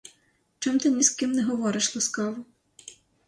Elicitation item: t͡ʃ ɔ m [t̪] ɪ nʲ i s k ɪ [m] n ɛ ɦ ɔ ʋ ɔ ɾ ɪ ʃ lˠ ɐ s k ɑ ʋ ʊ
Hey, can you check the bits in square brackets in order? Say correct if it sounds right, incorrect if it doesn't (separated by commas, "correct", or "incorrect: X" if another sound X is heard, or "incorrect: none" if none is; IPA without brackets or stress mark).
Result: correct, correct